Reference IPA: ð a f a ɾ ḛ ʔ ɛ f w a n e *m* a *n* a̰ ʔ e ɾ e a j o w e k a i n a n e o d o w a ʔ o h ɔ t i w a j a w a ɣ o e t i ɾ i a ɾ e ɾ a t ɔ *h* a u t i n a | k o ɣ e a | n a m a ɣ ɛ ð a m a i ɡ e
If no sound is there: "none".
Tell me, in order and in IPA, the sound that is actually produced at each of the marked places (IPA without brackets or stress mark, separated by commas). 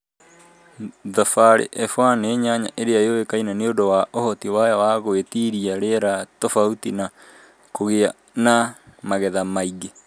ɲ, ɲ, f